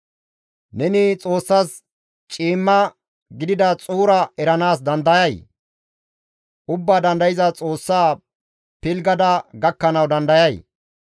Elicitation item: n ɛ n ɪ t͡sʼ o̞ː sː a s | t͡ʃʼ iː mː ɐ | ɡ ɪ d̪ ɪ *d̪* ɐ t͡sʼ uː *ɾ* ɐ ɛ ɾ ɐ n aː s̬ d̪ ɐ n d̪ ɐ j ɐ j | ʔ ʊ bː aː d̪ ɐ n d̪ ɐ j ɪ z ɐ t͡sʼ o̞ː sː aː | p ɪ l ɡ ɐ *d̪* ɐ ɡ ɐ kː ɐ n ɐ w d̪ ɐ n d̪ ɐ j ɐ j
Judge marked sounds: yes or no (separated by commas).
yes, yes, yes